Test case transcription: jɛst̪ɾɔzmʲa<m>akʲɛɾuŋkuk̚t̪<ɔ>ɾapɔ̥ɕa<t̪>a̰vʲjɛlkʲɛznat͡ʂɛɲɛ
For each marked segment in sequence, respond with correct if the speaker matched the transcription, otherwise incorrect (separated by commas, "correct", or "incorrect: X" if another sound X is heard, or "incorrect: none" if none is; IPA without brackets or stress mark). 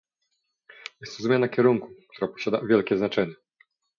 incorrect: n, incorrect: u, incorrect: d̪